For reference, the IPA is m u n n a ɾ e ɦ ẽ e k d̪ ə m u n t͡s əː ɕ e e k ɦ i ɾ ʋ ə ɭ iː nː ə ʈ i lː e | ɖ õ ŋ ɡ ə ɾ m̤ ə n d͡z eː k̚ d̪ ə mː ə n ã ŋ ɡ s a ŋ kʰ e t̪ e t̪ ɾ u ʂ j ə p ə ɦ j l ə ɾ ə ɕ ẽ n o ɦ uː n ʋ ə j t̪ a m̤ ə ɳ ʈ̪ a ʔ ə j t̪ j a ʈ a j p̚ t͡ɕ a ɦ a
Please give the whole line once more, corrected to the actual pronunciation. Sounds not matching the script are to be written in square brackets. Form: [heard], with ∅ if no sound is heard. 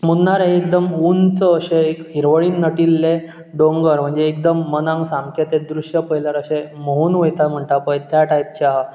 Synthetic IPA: m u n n a ɾ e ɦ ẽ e k d̪ ə m u n t͡s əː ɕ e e k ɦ i ɾ ʋ ə ɭ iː nː ə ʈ i lː e | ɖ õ ŋ ɡ ə ɾ m̤ ə [ɳ] d͡z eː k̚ d̪ ə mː ə n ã ŋ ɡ s a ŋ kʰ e t̪ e [d̪] ɾ u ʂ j ə p ə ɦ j l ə ɾ ə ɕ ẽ [m] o ɦ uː n ʋ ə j t̪ a m̤ ə ɳ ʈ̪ a [p] ə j t̪ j a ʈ a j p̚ t͡ɕ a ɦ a